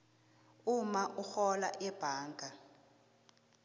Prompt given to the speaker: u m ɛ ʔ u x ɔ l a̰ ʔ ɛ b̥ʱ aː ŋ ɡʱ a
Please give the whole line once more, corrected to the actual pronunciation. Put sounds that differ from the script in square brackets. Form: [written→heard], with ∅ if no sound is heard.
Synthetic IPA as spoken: u m [ɛ→a] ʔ u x ɔ l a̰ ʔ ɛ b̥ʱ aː ŋ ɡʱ a